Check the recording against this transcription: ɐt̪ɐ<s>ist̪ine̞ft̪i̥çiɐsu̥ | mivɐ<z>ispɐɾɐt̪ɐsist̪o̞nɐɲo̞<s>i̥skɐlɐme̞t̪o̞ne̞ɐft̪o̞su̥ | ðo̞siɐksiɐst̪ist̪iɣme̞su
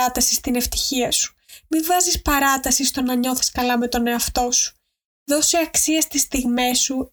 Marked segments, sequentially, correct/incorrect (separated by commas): correct, correct, incorrect